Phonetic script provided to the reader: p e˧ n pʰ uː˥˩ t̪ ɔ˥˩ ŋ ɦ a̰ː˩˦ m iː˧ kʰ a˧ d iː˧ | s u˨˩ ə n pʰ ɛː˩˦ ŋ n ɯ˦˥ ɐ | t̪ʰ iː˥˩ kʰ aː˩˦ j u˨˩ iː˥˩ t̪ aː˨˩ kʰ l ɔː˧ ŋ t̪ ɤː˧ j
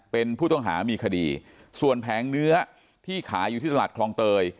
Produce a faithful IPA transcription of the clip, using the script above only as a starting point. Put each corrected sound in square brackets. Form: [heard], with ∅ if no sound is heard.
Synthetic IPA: p e˧ n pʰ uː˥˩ t̪ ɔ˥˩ ŋ ɦ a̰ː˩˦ m iː˧ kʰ a˧ d iː˧ | s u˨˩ ə n pʰ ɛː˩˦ ŋ n ɯ˦˥ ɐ | t̪ʰ iː˥˩ kʰ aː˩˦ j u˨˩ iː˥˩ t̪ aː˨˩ kʰ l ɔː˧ ŋ t̪ ɤː˧ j